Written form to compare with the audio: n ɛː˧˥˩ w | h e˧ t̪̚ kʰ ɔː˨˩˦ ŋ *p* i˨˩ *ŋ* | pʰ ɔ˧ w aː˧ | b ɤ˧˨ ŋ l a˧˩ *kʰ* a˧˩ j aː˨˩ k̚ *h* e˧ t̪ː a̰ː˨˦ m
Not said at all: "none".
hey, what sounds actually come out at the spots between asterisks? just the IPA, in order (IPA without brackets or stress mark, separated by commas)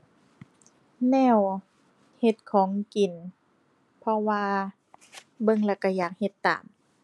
k, n, k, h